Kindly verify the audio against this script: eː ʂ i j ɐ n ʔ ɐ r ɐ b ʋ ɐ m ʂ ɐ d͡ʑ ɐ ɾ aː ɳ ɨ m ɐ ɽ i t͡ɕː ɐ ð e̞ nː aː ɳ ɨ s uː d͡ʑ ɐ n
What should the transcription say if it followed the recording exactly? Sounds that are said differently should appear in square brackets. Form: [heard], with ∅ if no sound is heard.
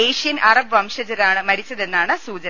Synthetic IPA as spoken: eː ʂ i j ɐ n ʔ ɐ r ɐ b ʋ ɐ m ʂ ɐ d͡ʑ ɐ ɾ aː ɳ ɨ m ɐ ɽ i t͡ɕː ɐ ð e̞ nː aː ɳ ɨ s uː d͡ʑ ɐ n